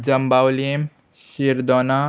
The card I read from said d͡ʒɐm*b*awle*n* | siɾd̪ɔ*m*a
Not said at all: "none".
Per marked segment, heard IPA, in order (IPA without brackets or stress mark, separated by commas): b, m, n